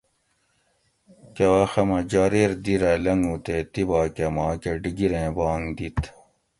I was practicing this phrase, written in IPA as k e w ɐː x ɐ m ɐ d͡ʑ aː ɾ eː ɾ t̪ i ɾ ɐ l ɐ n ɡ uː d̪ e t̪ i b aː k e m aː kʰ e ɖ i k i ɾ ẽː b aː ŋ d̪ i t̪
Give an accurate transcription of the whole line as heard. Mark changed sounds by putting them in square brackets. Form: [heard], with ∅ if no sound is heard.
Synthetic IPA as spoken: k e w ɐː x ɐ m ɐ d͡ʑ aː ɾ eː ɾ [d̪] i ɾ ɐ l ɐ [ŋ] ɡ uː [t̪] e t̪ i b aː k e m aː [k] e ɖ i [ɡ] i ɾ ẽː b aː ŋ d̪ i t̪